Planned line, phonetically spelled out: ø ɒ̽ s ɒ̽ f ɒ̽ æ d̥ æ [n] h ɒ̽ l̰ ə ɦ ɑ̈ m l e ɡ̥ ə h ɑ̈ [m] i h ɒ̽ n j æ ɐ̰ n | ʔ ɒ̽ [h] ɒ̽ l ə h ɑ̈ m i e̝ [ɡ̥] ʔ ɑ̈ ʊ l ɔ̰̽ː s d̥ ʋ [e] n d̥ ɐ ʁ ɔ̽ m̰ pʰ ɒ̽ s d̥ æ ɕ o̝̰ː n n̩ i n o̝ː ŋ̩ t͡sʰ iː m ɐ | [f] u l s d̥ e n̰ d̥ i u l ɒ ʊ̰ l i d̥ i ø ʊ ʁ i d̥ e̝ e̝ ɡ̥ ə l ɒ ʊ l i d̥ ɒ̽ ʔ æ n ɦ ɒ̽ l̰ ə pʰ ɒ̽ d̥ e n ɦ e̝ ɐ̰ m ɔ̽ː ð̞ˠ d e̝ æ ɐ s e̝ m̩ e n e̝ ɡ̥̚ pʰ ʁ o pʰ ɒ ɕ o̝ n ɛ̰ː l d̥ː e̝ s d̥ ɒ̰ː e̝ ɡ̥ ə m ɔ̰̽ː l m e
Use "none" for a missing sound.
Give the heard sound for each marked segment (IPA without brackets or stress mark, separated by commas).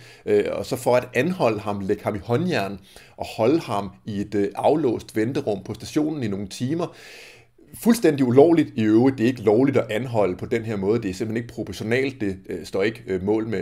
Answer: n, m, h, d̥, e, f